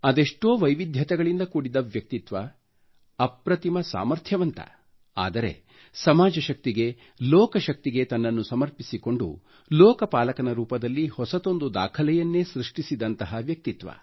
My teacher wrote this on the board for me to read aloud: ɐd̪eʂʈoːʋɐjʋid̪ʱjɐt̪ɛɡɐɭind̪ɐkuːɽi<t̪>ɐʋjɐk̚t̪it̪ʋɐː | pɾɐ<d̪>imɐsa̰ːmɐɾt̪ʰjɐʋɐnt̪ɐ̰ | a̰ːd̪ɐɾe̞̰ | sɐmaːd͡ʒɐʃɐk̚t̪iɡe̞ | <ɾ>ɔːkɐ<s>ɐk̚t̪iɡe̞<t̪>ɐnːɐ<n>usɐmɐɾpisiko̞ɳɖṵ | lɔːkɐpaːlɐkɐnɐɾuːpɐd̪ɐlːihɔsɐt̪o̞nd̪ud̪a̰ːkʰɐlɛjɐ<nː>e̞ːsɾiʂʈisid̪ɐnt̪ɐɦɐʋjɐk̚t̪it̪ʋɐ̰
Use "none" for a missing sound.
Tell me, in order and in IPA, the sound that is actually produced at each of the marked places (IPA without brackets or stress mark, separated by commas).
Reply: d̪, t̪, l, ʃ, t̪, nː, nː